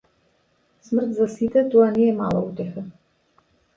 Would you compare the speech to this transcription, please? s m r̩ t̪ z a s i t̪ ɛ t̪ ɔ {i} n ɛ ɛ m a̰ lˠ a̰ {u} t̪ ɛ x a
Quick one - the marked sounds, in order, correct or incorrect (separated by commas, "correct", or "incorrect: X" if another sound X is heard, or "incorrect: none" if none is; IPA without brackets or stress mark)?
incorrect: a, correct